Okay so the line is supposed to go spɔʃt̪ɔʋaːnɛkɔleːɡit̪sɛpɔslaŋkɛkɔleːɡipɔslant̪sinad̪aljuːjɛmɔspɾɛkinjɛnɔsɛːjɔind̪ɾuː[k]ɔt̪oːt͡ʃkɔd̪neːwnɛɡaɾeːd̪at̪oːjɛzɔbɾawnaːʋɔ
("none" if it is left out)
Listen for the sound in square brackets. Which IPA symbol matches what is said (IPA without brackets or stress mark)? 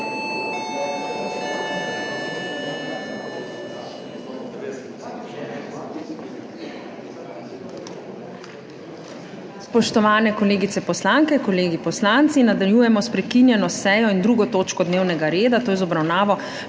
ɡ